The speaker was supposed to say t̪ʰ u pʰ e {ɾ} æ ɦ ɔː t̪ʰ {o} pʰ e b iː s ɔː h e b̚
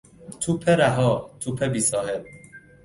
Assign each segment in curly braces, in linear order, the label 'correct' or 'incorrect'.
correct, incorrect

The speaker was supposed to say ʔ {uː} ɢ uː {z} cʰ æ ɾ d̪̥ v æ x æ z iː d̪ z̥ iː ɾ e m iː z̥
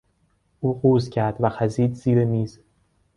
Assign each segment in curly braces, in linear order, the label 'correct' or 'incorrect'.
correct, correct

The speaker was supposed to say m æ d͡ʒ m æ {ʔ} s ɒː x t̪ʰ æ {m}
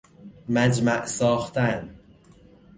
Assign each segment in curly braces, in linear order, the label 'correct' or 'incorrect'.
correct, incorrect

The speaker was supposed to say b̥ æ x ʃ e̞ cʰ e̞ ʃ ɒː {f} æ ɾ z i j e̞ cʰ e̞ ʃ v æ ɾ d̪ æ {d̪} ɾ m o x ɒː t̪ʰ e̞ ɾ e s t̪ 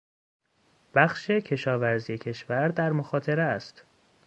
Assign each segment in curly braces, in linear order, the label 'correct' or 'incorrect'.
incorrect, incorrect

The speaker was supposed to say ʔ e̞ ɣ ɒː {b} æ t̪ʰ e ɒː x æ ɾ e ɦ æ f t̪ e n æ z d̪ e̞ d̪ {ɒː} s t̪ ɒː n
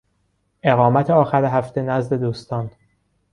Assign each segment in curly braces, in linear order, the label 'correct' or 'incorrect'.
incorrect, incorrect

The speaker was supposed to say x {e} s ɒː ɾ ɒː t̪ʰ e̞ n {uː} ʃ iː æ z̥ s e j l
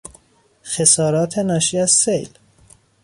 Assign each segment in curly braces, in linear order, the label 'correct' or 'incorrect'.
correct, incorrect

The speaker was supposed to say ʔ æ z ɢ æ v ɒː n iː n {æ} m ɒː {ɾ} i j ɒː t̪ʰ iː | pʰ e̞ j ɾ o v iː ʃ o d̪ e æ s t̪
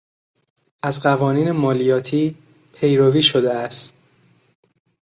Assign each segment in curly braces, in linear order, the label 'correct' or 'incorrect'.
incorrect, incorrect

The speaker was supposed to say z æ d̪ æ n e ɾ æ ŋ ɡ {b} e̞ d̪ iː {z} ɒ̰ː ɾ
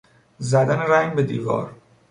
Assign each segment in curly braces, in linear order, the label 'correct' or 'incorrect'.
correct, incorrect

